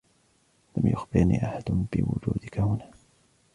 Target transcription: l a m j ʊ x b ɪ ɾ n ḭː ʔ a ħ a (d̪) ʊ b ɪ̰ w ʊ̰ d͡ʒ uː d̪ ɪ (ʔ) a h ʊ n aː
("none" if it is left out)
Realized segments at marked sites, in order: d̪, k

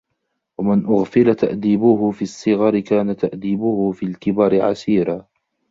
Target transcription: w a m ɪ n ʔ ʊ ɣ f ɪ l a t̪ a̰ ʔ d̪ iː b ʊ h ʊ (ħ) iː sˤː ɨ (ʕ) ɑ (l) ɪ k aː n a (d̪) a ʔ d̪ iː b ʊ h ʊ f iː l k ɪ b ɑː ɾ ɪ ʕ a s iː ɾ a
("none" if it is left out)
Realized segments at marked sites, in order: f, ɣ, ɾ, t̪

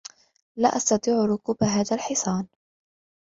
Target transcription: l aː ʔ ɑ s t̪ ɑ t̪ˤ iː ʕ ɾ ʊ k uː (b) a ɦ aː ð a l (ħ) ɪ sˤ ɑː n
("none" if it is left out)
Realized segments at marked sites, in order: b, ħ

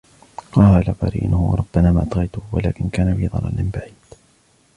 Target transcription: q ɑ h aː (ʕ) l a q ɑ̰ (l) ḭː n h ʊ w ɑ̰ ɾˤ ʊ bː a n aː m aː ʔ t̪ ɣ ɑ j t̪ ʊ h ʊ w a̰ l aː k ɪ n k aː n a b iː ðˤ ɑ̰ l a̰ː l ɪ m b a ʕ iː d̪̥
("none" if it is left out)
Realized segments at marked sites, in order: none, ɾ

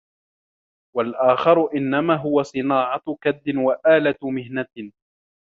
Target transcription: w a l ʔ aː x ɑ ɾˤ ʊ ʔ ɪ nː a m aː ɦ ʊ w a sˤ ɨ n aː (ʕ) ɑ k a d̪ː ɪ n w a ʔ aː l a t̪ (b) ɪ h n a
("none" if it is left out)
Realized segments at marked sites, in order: ʕ, m

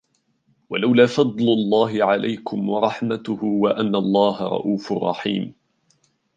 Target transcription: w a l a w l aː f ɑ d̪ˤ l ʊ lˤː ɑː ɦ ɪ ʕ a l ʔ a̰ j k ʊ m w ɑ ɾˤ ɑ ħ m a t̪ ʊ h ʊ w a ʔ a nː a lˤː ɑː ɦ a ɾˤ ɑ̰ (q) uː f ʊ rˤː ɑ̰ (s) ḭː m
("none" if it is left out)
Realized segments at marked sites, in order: ʔ, ħ

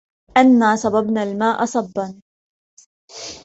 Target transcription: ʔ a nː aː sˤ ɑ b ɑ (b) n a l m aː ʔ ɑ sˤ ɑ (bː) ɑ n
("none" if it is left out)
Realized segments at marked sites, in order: b, bː

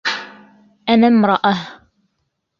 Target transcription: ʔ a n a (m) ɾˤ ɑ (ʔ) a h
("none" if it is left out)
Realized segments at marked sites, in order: m, ʔ

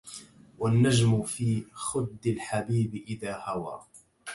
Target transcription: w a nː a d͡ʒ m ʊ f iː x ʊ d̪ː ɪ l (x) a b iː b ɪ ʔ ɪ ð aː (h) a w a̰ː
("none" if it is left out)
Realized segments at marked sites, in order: ħ, h

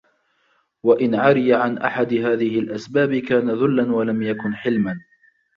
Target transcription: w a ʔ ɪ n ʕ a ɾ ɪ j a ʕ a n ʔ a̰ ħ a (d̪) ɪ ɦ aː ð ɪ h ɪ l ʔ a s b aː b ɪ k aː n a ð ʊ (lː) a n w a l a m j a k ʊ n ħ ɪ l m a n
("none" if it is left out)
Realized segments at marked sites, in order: d̪, lː

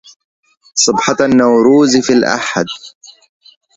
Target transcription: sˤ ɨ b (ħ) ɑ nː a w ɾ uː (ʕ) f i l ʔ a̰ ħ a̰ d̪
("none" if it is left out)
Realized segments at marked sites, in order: ħ, z

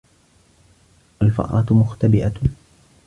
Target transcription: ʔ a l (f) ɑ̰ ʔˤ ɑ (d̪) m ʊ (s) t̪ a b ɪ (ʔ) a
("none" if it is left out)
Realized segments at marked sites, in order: f, t̪, x, ʔ

